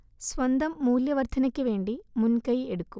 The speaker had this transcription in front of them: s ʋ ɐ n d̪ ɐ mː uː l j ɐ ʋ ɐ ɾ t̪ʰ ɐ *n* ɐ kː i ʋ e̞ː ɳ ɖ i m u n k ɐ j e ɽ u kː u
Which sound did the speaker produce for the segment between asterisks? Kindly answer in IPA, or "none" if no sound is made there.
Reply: n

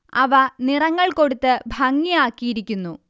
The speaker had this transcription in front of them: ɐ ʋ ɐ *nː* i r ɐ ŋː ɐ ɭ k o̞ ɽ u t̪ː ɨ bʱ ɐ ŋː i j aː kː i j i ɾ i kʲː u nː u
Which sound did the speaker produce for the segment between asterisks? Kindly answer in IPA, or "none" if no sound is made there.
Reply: n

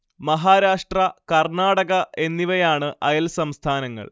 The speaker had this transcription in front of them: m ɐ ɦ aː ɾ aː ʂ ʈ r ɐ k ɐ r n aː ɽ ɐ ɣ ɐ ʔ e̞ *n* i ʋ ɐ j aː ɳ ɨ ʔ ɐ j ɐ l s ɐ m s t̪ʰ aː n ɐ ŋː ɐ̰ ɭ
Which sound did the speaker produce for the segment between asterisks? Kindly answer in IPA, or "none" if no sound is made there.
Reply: nː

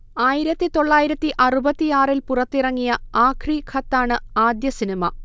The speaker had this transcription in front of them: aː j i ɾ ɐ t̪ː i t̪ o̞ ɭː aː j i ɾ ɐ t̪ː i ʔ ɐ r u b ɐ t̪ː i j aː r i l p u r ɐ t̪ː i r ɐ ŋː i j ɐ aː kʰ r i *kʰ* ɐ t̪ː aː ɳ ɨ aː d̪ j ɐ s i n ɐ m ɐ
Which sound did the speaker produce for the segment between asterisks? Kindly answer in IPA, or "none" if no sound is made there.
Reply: kʰ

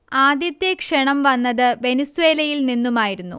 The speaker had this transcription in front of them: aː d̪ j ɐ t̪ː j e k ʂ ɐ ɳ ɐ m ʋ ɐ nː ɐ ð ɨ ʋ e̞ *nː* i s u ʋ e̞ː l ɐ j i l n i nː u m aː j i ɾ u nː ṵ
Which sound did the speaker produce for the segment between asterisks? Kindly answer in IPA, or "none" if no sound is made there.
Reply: n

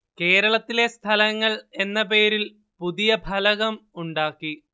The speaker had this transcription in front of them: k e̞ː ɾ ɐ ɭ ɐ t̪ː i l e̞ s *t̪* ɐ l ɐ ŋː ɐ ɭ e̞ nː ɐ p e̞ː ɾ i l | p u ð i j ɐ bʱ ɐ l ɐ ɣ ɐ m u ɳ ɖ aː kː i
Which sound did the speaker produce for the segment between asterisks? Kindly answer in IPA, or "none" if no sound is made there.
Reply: t̪ʰ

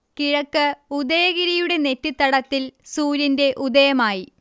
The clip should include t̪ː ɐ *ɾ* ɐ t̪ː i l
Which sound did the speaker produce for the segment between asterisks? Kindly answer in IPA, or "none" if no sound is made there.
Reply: ɽ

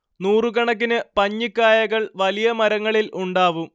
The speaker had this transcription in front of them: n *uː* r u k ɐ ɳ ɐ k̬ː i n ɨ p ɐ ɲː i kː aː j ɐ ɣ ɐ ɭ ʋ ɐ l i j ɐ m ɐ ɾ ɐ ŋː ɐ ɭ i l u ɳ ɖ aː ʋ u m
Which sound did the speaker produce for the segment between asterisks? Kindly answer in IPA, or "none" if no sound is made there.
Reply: uː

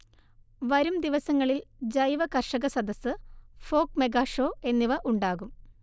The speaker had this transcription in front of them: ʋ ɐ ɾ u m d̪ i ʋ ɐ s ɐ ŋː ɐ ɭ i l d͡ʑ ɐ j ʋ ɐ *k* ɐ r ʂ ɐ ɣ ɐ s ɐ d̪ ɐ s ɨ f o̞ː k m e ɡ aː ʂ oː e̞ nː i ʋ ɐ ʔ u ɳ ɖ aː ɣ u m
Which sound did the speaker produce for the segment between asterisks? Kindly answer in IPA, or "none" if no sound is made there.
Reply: k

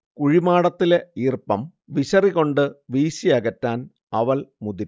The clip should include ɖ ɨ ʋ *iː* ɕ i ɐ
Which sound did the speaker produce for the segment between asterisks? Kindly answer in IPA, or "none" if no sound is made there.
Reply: iː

